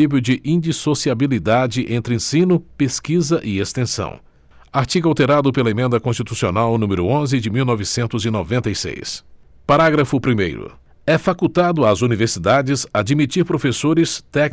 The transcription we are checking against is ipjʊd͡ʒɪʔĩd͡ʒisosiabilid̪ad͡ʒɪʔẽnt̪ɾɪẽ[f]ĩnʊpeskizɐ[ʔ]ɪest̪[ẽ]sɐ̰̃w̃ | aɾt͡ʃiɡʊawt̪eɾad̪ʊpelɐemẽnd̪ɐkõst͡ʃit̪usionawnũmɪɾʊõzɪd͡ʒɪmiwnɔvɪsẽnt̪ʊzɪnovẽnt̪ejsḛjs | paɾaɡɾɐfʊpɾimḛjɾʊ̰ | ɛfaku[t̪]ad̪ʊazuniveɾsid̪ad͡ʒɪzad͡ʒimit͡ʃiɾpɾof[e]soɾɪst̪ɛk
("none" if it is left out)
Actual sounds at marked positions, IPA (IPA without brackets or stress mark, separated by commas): s, ʔ, ẽ, t̪, e